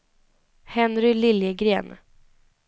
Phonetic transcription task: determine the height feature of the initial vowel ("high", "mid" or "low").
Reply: mid